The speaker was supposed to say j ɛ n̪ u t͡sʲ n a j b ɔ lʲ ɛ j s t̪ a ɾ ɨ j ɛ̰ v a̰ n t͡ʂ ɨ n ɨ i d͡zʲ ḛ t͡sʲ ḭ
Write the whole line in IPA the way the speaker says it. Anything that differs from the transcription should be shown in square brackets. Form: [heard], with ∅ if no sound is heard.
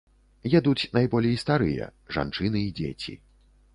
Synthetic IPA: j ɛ [d̪] u t͡sʲ n a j b ɔ lʲ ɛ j s t̪ a ɾ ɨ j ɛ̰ [ʐ] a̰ n t͡ʂ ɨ n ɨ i d͡zʲ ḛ t͡sʲ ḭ